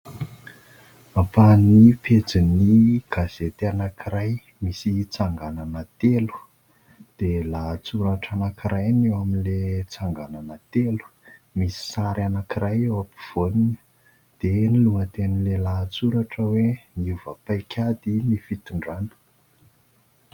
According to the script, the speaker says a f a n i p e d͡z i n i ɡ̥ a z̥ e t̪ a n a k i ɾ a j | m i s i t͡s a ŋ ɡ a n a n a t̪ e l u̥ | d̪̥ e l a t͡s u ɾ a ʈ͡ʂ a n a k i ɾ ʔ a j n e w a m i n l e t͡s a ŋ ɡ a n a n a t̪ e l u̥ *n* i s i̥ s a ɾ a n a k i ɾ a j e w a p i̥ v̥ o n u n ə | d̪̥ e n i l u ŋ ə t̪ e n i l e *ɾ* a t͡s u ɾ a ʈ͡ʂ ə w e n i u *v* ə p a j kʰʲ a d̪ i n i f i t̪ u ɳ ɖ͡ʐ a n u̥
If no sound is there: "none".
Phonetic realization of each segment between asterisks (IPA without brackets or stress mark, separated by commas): m, l, v